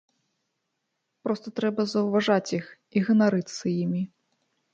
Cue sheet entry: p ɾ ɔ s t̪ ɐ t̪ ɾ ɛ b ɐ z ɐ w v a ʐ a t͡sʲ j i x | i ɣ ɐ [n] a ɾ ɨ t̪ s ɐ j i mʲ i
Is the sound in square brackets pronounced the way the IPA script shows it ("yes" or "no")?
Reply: yes